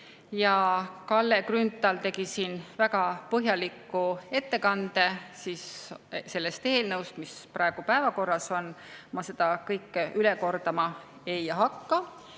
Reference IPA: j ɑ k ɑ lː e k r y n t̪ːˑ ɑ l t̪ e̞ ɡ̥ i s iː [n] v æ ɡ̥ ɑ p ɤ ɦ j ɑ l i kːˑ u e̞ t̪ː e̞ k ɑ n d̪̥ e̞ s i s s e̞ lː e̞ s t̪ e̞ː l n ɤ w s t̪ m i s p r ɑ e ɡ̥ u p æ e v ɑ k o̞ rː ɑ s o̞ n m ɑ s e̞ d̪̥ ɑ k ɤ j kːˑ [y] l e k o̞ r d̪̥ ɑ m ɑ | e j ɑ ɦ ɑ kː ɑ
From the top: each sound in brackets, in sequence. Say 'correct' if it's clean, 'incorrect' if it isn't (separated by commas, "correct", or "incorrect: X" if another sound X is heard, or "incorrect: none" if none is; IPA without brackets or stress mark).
correct, correct